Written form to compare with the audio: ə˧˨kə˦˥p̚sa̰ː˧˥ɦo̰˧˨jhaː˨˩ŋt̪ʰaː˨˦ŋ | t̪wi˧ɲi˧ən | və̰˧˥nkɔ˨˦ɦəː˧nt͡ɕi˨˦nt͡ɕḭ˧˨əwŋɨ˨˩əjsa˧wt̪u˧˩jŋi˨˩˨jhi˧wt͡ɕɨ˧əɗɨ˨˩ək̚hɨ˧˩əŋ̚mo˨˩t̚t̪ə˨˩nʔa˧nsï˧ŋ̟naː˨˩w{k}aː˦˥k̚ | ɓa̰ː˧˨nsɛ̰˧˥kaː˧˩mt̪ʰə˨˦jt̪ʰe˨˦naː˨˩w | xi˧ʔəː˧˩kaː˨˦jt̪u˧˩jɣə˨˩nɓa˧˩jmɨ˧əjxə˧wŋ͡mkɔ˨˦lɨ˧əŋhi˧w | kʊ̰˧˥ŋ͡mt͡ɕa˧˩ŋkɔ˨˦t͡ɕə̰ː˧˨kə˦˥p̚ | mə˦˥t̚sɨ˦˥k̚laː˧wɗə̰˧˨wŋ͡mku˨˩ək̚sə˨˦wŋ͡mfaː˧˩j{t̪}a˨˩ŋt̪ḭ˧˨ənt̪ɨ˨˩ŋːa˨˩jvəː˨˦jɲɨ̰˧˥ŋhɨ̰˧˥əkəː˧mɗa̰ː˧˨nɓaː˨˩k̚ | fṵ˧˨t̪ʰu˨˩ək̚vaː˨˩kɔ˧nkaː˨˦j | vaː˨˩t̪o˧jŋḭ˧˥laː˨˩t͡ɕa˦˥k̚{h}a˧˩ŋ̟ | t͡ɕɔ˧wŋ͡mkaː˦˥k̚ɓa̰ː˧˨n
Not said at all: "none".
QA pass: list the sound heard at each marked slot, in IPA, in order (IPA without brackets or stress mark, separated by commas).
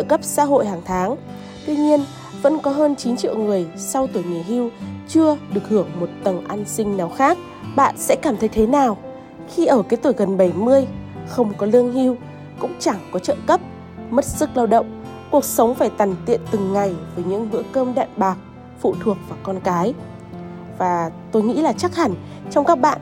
x, t̪, h